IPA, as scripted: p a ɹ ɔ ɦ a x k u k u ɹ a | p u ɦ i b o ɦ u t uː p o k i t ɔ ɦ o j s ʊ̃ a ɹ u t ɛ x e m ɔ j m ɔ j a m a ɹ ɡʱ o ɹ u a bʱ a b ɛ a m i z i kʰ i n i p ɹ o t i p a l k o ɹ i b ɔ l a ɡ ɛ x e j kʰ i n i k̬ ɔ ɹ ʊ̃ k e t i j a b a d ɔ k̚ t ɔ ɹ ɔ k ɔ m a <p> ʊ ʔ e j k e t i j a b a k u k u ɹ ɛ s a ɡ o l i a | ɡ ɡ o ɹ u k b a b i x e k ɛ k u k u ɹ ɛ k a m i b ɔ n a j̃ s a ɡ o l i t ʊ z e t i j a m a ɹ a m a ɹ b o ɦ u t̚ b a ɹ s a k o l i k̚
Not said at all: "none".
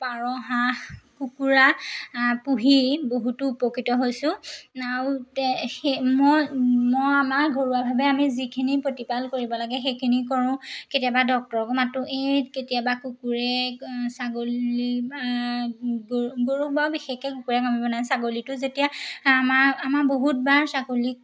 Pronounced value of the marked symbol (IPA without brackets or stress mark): t